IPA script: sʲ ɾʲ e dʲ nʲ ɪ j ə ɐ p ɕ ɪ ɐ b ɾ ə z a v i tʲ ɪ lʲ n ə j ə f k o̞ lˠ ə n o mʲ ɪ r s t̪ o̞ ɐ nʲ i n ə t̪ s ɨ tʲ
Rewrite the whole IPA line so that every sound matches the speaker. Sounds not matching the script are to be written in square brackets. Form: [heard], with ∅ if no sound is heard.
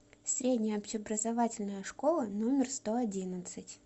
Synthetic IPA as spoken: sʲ ɾʲ e dʲ nʲ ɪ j ə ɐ p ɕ ɪ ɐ b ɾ ə z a v [a] tʲ ɪ lʲ n ə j ə [ʂ] k o̞ lˠ ə n o mʲ ɪ r s t̪ o̞ ɐ [dʲ] i n ə t̪ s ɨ tʲ